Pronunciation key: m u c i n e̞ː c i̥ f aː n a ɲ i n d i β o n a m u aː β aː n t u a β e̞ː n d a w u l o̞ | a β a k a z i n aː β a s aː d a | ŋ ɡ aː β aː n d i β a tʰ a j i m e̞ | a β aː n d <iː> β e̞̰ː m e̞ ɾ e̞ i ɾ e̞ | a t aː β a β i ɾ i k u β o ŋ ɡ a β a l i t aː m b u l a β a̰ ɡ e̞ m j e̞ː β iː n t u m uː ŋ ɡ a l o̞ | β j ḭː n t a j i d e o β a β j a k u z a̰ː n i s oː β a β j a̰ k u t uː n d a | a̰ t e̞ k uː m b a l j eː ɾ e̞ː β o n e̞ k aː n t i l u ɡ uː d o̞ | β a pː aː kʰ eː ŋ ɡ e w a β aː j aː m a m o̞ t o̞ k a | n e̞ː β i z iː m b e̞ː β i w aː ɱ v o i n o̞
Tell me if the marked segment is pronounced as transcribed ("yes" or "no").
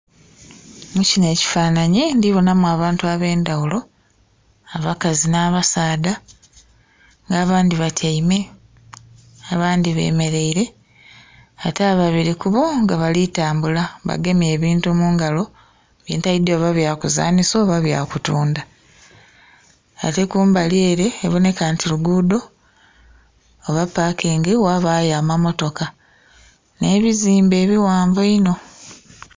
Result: no